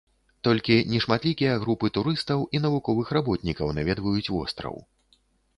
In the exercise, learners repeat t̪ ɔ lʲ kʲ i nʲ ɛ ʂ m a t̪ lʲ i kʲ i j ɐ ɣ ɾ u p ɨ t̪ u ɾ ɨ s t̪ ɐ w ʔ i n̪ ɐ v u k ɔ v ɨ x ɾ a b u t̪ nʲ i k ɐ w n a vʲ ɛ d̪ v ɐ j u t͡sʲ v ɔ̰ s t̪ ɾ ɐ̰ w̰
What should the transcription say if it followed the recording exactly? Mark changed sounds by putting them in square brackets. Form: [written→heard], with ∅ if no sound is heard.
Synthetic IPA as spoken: t̪ ɔ lʲ kʲ i nʲ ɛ ʂ m a t̪ lʲ i kʲ i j ɐ ɣ ɾ u p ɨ t̪ u ɾ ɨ s t̪ ɐ w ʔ i n̪ ɐ v u k ɔ v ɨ x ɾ a b [u→ɔ] t̪ nʲ i k ɐ w n a vʲ ɛ d̪ v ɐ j u t͡sʲ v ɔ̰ s t̪ ɾ ɐ̰ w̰